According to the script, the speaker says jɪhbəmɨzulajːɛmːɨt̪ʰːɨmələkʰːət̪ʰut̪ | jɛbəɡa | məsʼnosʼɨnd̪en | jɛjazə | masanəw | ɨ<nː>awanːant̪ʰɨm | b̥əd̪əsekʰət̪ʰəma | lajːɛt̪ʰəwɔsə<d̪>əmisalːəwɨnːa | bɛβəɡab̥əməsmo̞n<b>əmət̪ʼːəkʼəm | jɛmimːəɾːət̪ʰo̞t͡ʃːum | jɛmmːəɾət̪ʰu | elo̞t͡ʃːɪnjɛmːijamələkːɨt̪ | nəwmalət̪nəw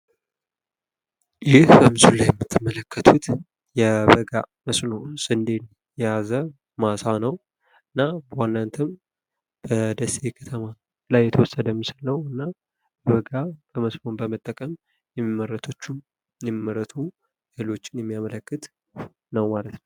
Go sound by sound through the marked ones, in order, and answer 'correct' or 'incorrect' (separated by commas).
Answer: correct, correct, correct